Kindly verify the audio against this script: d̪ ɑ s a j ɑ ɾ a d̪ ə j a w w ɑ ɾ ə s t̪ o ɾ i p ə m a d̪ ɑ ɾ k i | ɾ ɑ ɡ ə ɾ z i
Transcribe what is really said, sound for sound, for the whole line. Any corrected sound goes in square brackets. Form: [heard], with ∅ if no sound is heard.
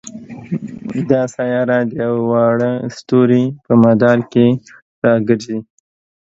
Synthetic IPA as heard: d̪ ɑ s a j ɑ ɾ a d̪ ə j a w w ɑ [ɽ] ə s t̪ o ɾ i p ə m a d̪ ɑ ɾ k [e] | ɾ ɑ ɡ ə ɾ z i